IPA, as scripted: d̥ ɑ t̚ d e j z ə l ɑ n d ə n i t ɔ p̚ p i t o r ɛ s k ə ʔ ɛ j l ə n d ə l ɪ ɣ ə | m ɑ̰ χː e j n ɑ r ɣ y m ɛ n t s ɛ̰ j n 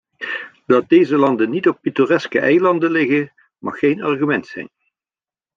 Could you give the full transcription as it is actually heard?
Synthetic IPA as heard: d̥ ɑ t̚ d e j z ə l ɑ n d ə n i t ɔ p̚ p i t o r ɛ s k ə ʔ ɛ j l ɑ n d ə l ɪ ɣ ə | m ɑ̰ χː e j n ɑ r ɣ y m ɛ n t s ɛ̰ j n